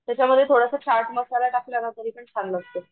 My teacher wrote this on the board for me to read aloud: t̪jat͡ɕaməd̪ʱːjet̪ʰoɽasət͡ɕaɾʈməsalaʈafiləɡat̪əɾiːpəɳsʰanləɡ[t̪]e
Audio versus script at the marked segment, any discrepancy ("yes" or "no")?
no